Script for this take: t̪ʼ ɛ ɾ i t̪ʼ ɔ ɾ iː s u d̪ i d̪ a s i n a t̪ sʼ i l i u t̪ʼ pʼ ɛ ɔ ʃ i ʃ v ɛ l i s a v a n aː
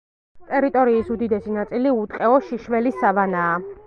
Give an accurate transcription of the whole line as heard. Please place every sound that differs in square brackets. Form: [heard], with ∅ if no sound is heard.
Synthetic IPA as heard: t̪ʼ ɛ ɾ i t̪ʼ ɔ ɾ iː s u d̪ i d̪ [ɛ] s i n a t̪ sʼ i l i u t̪ʼ [qʼ] ɛ ɔ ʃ i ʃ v ɛ l i s a v a n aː